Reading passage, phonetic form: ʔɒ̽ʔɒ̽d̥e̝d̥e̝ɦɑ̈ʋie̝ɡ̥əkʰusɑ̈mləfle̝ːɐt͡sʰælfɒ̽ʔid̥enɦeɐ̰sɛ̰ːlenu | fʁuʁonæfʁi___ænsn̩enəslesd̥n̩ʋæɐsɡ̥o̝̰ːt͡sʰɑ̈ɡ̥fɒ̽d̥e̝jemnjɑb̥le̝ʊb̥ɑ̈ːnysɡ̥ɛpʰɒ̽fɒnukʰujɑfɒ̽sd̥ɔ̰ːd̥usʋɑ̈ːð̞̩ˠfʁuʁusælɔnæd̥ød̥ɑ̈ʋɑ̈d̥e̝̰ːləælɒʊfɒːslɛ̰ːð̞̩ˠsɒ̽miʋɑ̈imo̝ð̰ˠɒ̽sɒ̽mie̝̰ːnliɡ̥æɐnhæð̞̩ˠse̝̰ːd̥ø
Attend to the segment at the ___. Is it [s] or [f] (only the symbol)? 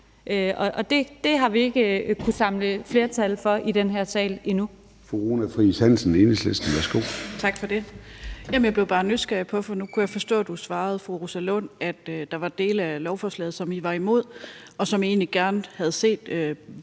s